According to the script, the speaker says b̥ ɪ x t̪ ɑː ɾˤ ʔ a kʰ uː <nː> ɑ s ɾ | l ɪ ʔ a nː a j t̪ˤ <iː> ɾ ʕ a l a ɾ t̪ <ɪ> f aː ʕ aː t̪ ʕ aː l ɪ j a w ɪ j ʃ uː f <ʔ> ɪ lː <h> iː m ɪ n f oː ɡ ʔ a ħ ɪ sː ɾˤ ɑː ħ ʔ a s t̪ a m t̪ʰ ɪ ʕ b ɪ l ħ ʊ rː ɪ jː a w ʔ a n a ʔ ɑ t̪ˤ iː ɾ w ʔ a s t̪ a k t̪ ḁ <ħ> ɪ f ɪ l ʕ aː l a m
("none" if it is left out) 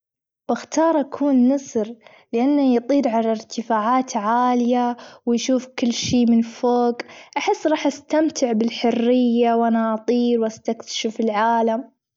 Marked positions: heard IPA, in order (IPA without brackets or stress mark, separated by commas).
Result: nː, iː, ɪ, k, ʃ, ʃ